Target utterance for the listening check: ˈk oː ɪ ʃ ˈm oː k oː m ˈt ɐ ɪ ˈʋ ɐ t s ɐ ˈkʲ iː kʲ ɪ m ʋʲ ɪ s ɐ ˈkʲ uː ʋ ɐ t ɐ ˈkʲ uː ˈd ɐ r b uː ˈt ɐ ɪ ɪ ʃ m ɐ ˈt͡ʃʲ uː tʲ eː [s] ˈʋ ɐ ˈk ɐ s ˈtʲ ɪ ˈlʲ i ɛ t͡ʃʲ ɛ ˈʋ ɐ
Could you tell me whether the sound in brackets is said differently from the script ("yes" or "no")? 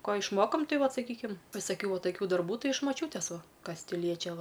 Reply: no